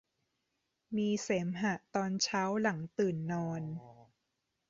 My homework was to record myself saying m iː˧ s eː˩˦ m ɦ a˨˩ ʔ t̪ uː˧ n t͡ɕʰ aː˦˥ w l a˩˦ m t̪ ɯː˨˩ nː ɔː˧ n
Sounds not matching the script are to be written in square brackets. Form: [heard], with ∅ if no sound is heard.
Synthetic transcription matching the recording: m iː˧ s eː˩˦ m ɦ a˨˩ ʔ t̪ [ɔː˧] n t͡ɕʰ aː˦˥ w l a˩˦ [ŋ] t̪ ɯː˨˩ nː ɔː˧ n